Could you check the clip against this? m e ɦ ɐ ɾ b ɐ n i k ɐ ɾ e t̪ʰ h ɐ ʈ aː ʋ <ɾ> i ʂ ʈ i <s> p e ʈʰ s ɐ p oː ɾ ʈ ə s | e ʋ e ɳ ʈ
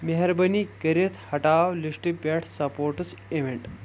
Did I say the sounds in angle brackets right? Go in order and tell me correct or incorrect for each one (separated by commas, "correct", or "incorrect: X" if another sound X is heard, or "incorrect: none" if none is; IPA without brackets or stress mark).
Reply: incorrect: l, incorrect: none